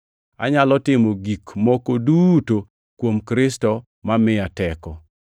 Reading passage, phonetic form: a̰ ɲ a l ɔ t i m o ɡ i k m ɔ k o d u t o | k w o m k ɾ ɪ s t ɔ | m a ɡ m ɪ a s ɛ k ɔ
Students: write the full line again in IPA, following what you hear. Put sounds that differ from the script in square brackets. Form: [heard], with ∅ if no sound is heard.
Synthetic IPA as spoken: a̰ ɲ a l ɔ t [ɪ] m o ɡ i k m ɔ k o d u t o | k w o m k ɾ ɪ s t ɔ | m a [∅] m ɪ a [t] ɛ k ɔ